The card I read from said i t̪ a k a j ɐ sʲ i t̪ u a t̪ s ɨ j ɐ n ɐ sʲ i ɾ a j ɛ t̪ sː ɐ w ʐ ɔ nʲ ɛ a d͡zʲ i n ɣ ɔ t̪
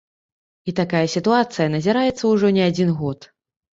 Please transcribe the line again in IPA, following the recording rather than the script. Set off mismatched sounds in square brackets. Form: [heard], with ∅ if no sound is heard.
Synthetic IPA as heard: i t̪ a k a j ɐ sʲ i t̪ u a t̪ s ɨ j ɐ n ɐ [zʲ] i ɾ a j ɛ t̪ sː ɐ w ʐ ɔ nʲ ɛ a d͡zʲ i n ɣ ɔ t̪